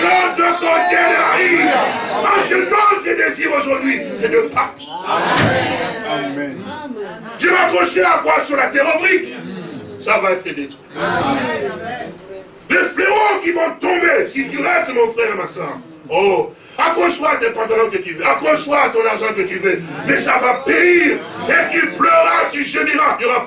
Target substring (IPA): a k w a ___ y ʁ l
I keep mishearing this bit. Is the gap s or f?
s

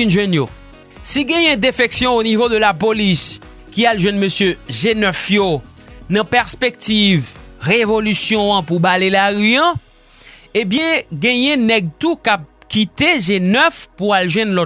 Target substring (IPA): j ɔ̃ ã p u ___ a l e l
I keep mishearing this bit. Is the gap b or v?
b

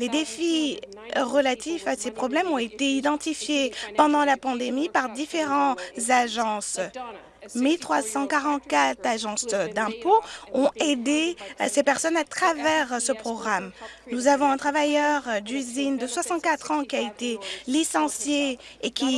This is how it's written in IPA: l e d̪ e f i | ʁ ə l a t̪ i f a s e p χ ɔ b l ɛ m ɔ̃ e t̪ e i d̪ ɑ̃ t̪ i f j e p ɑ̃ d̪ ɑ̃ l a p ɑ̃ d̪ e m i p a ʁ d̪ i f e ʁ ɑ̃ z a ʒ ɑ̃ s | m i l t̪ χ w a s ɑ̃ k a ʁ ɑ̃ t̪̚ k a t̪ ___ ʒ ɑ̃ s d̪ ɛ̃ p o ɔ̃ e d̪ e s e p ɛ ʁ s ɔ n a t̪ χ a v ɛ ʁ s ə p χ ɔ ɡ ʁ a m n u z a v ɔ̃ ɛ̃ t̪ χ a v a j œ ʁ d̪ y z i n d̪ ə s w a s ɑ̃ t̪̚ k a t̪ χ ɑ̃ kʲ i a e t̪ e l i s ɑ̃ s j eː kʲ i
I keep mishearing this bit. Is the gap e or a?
a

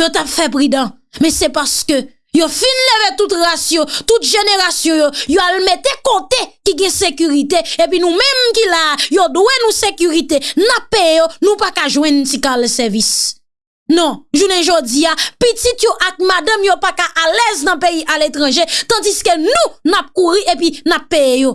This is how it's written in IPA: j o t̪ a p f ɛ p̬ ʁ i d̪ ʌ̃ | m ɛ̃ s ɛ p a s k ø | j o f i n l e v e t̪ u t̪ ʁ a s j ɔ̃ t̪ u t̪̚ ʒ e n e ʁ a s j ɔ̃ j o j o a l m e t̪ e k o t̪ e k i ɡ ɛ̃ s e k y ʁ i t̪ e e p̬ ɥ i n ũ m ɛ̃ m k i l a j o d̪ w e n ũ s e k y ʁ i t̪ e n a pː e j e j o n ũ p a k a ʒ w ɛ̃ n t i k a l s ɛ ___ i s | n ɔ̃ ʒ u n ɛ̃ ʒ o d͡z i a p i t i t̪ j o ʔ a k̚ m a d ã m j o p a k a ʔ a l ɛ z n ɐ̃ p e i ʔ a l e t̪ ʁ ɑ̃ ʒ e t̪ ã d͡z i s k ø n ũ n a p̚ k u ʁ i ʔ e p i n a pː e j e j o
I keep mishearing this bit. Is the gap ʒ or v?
v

